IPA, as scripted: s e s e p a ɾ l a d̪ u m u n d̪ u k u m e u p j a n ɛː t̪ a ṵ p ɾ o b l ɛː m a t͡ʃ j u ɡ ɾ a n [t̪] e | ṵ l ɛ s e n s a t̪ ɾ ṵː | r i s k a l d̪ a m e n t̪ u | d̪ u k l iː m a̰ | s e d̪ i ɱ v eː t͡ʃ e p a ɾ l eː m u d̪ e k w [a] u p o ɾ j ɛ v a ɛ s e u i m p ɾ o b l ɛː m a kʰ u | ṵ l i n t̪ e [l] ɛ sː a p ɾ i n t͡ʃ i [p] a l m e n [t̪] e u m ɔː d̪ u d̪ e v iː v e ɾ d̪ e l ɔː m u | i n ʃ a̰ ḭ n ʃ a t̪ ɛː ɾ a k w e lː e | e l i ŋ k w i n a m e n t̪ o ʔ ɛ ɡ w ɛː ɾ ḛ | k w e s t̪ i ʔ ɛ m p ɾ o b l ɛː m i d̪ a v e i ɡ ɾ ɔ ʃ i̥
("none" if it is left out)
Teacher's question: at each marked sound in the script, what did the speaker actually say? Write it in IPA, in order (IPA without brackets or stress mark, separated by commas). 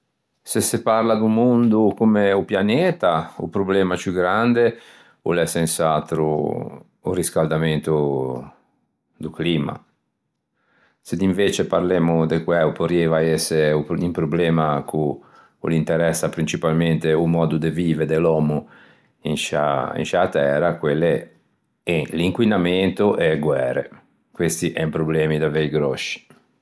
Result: d̪, ɛ, ɾ, p, t̪